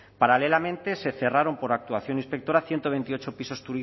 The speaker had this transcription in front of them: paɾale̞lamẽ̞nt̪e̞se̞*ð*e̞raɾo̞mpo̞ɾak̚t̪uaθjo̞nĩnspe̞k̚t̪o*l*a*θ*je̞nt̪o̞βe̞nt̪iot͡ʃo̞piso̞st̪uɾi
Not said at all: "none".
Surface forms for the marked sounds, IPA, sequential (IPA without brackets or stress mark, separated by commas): θ, ɾ, θ